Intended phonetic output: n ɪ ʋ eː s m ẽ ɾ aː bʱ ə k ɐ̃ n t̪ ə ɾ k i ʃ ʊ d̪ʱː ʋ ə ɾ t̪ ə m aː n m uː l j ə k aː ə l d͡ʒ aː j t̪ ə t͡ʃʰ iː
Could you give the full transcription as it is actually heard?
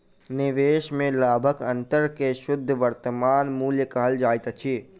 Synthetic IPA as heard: n ɪ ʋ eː ʃ m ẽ l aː bʱ ə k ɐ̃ n t̪ ə ɾ k e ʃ ʊ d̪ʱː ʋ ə ɾ t̪ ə m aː n m uː l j ə k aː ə l d͡ʒ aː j t̪ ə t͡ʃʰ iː